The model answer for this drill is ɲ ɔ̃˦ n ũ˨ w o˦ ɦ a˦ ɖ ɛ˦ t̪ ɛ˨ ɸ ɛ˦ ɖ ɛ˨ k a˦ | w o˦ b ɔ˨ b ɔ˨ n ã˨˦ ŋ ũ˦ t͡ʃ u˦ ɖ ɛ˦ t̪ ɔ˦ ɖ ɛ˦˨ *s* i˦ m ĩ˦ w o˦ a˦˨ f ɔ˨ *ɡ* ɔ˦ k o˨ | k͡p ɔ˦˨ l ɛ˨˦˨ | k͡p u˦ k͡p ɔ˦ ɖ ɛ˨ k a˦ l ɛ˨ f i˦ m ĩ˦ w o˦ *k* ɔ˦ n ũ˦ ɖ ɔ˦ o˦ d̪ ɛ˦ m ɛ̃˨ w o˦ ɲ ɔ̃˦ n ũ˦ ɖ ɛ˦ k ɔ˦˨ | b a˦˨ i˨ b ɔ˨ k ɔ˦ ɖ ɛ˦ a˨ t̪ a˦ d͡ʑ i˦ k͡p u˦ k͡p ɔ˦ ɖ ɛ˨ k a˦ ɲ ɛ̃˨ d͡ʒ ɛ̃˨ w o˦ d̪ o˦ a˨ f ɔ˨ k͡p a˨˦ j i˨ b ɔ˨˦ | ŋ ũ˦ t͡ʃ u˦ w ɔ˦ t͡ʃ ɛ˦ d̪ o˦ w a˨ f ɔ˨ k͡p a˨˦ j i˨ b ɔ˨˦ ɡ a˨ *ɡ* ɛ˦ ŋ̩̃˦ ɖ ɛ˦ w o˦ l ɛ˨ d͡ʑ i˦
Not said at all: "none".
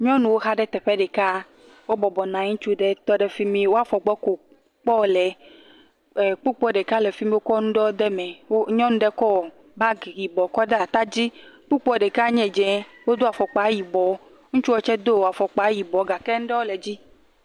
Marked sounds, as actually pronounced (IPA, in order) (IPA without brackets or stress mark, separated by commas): f, ɡ͡b, k, k